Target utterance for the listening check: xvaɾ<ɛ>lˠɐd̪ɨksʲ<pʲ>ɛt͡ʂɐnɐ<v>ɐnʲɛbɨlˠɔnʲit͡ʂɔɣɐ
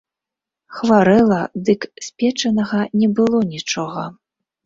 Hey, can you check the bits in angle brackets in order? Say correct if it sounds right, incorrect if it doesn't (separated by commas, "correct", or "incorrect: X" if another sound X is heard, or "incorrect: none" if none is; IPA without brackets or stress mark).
correct, correct, incorrect: ɣ